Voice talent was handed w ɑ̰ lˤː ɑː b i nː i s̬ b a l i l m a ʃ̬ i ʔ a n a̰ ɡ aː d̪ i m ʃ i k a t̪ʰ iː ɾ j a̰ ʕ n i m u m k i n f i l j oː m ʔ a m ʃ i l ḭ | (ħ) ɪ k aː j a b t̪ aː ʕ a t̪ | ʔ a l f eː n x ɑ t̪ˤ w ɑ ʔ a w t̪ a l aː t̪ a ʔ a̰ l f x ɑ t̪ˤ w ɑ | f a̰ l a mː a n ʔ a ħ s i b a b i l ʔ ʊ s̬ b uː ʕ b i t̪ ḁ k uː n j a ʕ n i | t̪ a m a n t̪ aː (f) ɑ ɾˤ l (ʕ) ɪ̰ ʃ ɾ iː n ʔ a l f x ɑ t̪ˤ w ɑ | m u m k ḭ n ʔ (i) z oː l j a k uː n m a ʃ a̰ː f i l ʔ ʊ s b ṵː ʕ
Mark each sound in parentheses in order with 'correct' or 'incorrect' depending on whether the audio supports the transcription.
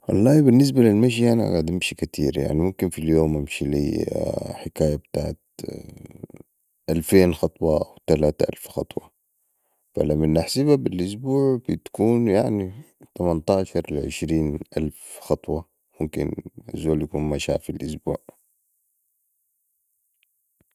correct, incorrect: ʃ, correct, incorrect: a

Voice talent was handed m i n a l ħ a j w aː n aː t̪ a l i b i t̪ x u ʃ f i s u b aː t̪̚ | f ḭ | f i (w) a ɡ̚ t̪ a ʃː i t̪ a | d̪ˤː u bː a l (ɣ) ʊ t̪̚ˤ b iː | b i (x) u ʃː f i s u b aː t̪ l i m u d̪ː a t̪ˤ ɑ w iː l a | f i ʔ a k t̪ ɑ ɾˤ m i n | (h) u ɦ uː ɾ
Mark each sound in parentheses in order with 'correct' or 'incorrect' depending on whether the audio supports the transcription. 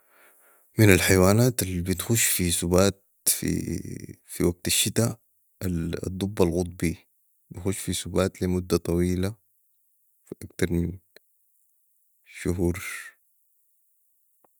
correct, correct, correct, incorrect: ʃ

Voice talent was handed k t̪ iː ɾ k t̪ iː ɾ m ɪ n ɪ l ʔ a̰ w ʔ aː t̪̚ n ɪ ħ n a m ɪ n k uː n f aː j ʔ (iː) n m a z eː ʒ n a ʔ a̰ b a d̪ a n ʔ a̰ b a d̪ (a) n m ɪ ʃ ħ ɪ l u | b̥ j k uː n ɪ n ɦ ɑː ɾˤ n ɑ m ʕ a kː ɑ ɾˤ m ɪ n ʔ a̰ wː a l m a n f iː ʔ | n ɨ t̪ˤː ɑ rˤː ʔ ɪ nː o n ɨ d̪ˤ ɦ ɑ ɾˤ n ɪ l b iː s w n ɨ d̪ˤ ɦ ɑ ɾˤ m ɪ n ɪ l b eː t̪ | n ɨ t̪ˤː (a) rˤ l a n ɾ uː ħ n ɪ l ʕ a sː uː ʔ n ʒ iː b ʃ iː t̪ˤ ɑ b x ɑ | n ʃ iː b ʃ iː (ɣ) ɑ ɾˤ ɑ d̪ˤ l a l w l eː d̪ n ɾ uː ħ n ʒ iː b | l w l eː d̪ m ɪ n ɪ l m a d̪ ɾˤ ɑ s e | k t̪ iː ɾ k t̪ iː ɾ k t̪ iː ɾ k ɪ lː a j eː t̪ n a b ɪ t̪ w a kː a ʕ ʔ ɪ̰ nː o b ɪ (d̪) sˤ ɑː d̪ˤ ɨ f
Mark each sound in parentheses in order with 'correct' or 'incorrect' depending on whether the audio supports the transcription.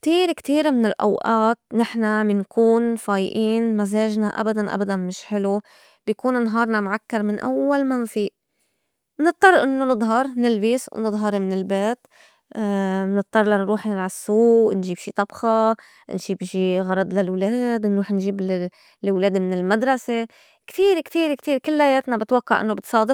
correct, correct, incorrect: ɑ, correct, incorrect: t̪

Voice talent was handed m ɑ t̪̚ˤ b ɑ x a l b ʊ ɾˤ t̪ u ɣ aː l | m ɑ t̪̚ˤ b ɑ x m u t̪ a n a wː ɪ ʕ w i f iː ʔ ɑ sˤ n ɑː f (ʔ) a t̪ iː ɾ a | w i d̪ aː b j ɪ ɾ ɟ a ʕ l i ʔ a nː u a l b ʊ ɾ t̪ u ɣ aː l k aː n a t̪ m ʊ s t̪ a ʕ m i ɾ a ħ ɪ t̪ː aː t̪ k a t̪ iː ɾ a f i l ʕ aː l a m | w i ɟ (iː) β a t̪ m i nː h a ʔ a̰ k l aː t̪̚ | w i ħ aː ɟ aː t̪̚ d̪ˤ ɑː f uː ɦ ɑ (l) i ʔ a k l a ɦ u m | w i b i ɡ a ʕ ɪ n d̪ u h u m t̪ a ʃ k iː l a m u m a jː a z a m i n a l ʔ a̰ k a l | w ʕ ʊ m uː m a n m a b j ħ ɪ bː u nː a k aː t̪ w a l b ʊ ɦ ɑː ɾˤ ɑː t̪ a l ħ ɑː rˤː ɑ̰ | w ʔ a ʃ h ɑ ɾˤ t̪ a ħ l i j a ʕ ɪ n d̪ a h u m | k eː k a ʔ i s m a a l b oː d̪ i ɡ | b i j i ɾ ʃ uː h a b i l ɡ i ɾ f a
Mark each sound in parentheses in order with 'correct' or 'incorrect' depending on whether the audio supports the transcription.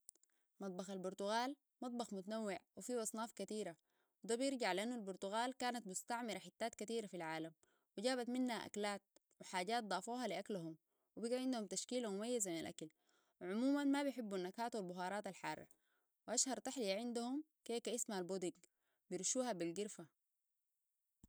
incorrect: k, incorrect: aː, correct

